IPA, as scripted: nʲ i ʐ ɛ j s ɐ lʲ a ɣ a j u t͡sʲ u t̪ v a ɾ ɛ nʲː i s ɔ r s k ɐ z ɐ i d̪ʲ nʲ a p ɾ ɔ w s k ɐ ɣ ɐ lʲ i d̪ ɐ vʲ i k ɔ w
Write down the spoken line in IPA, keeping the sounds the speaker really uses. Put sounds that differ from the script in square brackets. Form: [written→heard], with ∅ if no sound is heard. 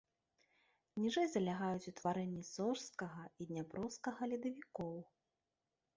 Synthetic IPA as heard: nʲ i ʐ ɛ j [s→z] ɐ lʲ a ɣ a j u t͡sʲ u t̪ v a ɾ ɛ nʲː i s ɔ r s k ɐ [z→ɣ] ɐ i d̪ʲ nʲ a p ɾ ɔ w s k ɐ ɣ ɐ lʲ i d̪ ɐ vʲ i k ɔ w